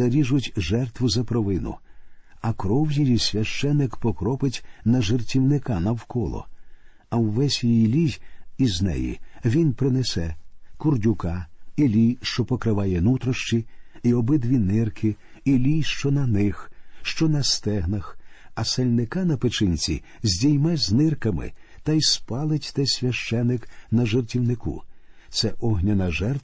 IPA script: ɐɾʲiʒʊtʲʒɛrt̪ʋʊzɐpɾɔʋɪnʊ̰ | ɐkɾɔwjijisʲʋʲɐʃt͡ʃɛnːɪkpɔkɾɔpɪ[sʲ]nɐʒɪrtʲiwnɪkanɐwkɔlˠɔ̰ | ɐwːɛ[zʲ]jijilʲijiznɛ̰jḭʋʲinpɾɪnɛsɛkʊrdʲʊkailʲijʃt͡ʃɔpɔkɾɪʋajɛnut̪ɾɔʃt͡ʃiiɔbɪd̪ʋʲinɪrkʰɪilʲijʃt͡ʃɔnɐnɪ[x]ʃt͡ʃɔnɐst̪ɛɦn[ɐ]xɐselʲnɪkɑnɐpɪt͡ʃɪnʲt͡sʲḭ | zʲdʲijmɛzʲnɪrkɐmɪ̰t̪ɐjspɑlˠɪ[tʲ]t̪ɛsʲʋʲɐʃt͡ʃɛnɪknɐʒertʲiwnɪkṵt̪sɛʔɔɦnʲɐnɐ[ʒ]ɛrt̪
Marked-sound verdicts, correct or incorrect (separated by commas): incorrect, incorrect, correct, correct, correct, correct